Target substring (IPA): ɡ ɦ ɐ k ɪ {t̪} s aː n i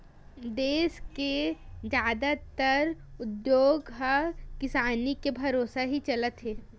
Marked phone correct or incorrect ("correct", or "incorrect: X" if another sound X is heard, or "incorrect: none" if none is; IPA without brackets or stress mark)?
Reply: incorrect: none